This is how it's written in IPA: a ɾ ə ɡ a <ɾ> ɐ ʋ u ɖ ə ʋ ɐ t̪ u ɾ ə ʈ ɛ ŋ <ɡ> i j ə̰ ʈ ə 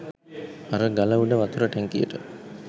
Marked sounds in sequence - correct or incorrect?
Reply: incorrect: l, incorrect: k

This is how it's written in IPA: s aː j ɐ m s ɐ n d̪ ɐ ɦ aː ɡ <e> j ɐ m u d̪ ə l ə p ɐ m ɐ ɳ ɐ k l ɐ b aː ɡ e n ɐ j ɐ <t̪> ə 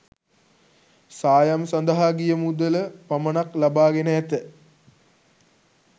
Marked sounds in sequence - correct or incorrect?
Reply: incorrect: i, correct

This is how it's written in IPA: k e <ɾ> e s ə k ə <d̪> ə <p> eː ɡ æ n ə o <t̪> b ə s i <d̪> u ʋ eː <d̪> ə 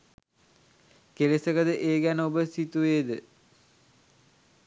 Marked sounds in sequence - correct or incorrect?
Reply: incorrect: l, correct, incorrect: ʔ, incorrect: none, incorrect: t̪, correct

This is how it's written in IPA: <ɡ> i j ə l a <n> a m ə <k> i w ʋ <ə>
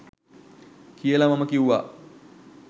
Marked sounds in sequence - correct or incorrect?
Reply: incorrect: k, incorrect: m, correct, incorrect: a

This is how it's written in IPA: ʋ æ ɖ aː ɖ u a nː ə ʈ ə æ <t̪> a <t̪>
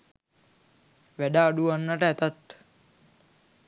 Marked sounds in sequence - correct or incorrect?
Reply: correct, correct

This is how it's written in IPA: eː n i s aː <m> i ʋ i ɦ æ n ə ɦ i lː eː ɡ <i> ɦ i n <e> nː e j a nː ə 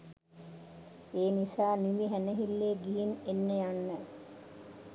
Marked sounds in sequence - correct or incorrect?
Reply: incorrect: n, correct, correct

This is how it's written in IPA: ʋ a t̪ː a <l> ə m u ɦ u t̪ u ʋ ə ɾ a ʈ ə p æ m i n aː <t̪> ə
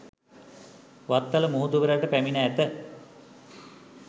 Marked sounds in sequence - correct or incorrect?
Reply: correct, correct

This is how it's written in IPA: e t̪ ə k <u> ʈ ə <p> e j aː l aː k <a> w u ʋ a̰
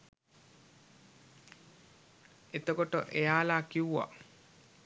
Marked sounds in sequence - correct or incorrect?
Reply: incorrect: o, incorrect: ʔ, incorrect: i

